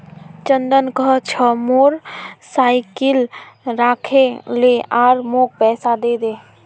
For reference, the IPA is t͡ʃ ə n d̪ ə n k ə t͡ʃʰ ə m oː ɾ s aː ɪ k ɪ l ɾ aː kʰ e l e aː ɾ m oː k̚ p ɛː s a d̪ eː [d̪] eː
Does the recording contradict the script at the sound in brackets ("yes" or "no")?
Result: no